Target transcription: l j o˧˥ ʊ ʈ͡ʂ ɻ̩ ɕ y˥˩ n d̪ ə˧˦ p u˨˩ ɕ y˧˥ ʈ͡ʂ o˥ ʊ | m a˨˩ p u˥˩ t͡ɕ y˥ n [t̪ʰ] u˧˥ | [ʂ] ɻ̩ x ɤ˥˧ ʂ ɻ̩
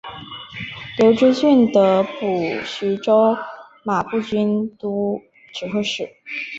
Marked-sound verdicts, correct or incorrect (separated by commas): incorrect, incorrect